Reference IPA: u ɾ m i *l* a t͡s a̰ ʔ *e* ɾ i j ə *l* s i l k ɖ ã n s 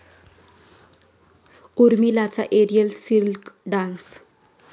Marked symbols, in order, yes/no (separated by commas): yes, yes, yes